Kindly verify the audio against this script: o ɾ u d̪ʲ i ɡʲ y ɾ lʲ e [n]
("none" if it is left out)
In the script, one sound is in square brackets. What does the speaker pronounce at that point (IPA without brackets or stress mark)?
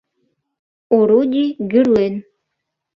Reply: n